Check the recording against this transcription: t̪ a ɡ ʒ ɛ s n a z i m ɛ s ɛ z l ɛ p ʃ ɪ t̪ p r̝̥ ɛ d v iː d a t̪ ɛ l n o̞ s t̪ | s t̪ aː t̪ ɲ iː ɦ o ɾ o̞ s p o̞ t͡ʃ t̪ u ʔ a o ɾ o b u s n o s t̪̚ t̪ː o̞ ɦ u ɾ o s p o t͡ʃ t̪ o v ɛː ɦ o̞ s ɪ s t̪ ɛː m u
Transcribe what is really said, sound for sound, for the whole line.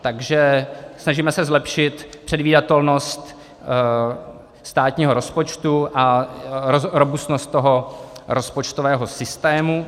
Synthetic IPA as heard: t̪ a ɡ ʒ ɛ s n a ʒ i m ɛ s ɛ z l ɛ p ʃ ɪ t̪ p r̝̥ ɛ d v iː d a t̪ ɛ l n o̞ s t̪ | s t̪ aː t̪ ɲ iː ɦ o ɾ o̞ s p o̞ t͡ʃ t̪ u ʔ a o ɾ o b u s n o s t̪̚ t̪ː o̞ ɦ o ɾ o s p o t͡ʃ t̪ o v ɛː ɦ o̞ s ɪ s t̪ ɛː m u

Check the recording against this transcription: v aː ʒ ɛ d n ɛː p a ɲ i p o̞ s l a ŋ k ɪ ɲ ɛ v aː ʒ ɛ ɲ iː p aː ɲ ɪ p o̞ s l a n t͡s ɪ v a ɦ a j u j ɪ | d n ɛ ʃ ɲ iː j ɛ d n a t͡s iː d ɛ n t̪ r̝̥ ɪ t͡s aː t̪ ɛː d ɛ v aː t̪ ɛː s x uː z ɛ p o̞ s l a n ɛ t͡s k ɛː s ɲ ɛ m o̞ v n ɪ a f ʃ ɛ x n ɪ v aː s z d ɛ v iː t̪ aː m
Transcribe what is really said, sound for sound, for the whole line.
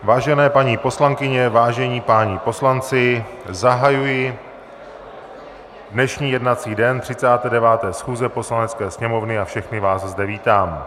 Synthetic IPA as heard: v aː ʒ ɛ n ɛː p a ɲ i p o̞ s l a ŋ k ɪ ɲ ɛ v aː ʒ ɛ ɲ iː p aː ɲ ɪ p o̞ s l a n t͡s ɪ z a ɦ a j u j ɪ | d n ɛ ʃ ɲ iː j ɛ d n a t͡s iː d ɛ n t̪ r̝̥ ɪ t͡s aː t̪ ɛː d ɛ v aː t̪ ɛː s x uː z ɛ p o̞ s l a n ɛ t͡s k ɛː s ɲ ɛ m o̞ v n ɪ a f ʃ ɛ x n ɪ v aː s z d ɛ v iː t̪ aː m

